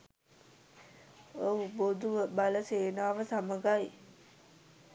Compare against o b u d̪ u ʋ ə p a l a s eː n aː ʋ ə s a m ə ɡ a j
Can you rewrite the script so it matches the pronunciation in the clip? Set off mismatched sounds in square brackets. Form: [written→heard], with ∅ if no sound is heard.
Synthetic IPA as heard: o b [u→o] d̪ u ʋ ə [p→b] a l [a→ə] s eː n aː ʋ ə s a m ə ɡ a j

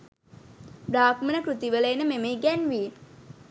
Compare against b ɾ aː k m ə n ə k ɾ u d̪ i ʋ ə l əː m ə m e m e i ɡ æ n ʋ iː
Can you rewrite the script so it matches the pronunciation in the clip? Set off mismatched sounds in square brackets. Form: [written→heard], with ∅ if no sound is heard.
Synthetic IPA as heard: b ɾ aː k m ə n ə k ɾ u [d̪→t̪] i ʋ ə l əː [m→n] ə m e m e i ɡ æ n ʋ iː

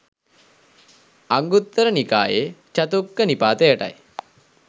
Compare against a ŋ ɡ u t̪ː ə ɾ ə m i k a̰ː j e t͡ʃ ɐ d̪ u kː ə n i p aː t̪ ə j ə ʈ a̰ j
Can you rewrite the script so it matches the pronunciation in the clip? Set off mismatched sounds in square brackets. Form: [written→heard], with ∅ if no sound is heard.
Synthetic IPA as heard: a ŋ ɡ u t̪ː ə ɾ ə [m→n] i k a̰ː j e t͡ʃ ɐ [d̪→t̪] u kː ə n i p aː t̪ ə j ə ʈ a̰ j

